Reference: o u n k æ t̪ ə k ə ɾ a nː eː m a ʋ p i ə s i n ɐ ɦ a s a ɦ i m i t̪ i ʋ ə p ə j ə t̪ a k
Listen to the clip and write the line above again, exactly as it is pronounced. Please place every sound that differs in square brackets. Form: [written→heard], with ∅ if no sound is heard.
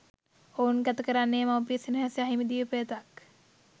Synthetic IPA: o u n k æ t̪ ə k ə ɾ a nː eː m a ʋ p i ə s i n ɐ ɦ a s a ɦ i m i [t̪→d̪] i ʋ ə p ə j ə t̪ a k